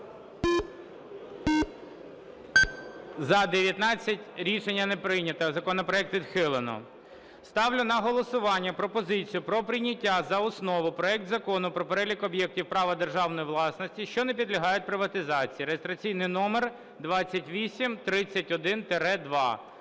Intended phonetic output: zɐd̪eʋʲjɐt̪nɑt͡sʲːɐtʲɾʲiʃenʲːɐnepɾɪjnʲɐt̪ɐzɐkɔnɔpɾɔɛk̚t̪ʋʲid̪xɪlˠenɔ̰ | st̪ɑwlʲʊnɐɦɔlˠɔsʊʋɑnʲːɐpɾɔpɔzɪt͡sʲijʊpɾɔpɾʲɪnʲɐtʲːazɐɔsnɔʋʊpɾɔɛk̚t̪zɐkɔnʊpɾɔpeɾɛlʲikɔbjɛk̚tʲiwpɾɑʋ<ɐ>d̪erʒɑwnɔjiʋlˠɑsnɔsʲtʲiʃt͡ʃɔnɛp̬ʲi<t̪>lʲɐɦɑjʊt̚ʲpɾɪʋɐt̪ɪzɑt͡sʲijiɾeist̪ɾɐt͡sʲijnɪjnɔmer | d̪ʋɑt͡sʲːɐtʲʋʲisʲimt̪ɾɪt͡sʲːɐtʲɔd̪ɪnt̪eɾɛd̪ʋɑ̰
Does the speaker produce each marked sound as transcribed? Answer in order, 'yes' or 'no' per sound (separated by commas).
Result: yes, no